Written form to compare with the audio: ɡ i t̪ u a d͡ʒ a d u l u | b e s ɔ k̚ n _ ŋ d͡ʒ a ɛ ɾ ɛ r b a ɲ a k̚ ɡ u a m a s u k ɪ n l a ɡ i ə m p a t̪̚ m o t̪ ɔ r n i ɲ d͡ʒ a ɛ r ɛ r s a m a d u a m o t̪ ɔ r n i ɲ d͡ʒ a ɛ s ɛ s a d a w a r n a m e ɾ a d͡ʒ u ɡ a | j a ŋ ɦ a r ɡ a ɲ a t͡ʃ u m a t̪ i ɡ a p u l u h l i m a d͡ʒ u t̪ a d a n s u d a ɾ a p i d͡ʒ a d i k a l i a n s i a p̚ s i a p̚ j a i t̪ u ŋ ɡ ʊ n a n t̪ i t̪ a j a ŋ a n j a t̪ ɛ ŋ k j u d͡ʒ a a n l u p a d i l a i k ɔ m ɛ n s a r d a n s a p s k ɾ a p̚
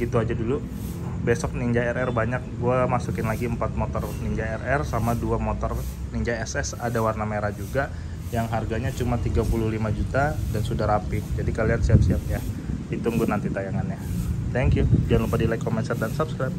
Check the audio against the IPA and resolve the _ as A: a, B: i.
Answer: B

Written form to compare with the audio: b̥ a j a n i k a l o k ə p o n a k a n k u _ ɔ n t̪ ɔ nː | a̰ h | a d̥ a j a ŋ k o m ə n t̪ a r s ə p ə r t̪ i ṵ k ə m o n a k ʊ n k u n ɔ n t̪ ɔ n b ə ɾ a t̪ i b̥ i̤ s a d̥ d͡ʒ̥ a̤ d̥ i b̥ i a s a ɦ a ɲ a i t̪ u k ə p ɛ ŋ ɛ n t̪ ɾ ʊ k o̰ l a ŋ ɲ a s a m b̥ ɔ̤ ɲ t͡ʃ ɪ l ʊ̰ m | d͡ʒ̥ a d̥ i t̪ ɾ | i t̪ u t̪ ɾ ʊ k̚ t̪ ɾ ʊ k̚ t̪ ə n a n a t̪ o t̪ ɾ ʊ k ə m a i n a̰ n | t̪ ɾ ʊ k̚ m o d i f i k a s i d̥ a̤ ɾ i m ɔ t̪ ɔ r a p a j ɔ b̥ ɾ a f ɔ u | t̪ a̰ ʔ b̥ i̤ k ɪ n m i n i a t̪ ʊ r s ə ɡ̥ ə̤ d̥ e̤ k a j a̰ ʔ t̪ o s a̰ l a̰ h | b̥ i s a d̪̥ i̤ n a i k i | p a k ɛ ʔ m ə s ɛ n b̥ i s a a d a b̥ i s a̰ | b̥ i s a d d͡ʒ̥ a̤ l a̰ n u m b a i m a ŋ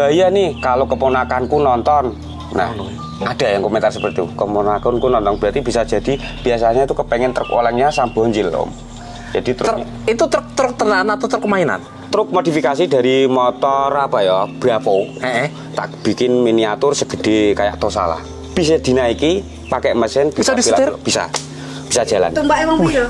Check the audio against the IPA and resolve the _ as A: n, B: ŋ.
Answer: A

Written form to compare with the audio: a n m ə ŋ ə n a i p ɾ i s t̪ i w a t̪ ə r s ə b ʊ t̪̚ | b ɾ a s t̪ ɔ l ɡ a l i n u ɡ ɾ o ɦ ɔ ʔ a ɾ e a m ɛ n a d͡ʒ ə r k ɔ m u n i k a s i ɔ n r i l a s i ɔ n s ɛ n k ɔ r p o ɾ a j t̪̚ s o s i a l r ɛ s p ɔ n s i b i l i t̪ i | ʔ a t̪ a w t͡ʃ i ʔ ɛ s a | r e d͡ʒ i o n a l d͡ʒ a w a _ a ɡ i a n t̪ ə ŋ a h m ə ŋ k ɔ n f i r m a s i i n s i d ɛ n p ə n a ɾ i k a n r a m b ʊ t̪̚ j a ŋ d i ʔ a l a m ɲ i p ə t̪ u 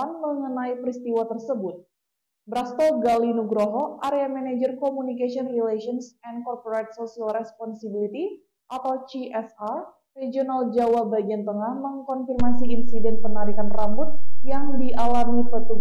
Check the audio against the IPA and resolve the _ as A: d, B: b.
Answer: B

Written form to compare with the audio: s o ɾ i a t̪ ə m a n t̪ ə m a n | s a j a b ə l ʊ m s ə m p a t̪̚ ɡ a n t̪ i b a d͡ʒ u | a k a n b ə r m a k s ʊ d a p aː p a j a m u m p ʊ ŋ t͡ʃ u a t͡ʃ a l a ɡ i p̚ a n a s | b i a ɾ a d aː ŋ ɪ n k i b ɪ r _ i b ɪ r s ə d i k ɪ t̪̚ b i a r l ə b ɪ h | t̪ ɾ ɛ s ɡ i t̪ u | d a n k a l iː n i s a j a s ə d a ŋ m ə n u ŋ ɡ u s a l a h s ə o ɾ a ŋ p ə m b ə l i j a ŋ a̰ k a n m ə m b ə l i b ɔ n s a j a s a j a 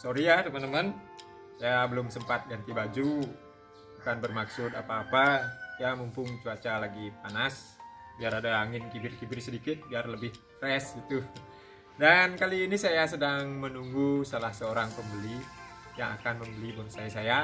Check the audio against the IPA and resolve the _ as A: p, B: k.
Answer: B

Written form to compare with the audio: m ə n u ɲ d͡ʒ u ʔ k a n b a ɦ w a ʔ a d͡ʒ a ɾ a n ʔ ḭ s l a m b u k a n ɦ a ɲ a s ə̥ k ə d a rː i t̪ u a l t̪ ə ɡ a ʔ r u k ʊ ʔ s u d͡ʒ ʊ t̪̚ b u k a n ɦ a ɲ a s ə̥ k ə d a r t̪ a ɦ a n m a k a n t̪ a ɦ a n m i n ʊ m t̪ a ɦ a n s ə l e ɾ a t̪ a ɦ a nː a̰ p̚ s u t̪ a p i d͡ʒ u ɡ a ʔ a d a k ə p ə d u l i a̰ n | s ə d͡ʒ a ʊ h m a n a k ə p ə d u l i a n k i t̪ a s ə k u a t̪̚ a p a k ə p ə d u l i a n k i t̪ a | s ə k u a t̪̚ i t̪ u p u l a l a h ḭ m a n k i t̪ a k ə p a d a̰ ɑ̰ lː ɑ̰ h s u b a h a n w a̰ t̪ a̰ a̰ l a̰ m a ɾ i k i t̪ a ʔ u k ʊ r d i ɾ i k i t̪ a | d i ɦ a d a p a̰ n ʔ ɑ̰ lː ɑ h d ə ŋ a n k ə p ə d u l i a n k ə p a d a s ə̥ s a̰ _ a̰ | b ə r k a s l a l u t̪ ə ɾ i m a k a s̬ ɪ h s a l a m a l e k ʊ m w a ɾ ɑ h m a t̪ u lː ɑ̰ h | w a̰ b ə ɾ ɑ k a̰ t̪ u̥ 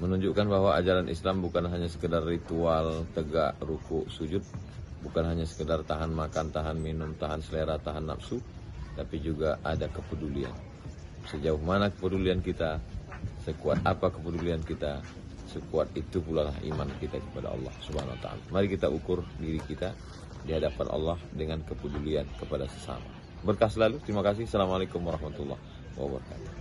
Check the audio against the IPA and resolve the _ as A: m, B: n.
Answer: A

